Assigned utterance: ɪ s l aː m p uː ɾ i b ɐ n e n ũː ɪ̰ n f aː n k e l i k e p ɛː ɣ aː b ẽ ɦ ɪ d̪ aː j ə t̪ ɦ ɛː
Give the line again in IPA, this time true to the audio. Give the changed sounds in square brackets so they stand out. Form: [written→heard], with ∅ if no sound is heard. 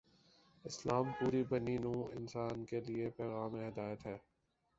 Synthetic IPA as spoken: ɪ s l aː m p uː ɾ i b ɐ n [e→i] n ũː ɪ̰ n [f→s] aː n k e l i [k→∅] e p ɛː ɣ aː [b→m] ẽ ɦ ɪ d̪ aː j ə t̪ ɦ ɛː